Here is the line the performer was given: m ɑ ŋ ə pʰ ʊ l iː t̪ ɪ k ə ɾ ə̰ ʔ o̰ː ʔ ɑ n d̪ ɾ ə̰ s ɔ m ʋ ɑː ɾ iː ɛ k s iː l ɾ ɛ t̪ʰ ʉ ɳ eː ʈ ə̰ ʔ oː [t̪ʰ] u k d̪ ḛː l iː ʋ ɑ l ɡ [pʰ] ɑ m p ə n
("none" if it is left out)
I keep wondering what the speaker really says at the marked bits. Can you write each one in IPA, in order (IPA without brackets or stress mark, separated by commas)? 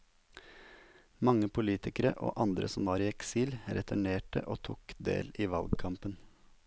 t̪ʰ, kʰ